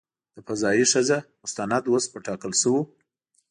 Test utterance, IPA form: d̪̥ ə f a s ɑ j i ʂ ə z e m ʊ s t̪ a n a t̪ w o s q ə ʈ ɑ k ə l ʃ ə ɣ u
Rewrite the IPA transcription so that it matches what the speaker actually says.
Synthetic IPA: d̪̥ ə f a z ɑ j i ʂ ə z a m ʊ s t̪ a n a d̪ w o s p ə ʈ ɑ k ə l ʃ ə w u